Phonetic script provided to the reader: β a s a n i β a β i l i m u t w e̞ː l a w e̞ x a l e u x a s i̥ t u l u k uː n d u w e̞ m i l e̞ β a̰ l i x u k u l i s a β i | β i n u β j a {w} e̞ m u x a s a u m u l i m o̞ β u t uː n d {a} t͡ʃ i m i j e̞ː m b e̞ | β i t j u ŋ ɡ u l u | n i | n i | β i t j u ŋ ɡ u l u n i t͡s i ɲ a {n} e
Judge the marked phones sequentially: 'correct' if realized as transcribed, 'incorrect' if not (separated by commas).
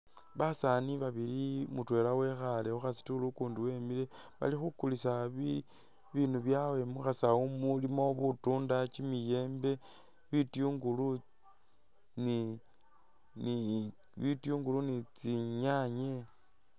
correct, correct, incorrect